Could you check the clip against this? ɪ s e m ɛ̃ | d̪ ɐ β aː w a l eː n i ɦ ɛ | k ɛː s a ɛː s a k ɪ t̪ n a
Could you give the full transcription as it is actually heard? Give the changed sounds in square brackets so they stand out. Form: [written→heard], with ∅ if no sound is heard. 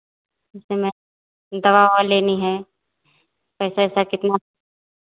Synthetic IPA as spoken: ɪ s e m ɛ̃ | d̪ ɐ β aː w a l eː n i ɦ ɛ | [k→p] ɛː s a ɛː s a k ɪ t̪ n a